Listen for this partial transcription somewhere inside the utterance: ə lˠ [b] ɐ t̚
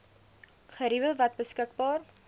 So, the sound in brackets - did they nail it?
no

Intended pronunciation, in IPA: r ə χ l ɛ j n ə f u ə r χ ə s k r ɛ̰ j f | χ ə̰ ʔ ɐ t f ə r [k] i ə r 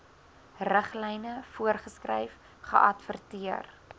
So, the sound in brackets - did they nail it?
no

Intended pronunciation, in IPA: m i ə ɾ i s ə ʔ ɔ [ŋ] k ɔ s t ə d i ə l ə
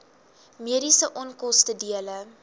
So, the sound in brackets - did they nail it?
no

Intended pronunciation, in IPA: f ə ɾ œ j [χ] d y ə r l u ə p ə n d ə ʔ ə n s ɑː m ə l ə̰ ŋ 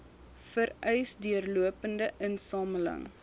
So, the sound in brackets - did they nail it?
no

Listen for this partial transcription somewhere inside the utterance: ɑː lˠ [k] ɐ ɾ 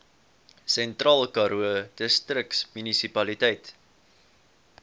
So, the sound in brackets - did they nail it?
yes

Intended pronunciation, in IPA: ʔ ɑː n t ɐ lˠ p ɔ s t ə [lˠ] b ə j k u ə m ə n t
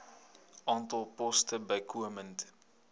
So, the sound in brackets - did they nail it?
no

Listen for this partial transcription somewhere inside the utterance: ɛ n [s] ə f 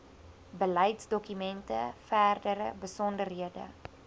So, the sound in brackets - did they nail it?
no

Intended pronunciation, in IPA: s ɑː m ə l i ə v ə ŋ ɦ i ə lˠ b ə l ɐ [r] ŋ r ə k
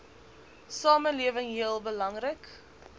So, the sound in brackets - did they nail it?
no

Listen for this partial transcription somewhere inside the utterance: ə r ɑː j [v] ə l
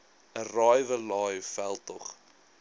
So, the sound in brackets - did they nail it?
yes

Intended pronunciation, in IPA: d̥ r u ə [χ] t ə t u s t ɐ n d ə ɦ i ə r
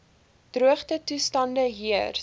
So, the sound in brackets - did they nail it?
yes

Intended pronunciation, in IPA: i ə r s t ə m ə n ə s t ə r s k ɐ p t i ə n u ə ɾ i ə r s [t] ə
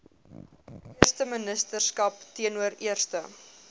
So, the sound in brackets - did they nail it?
yes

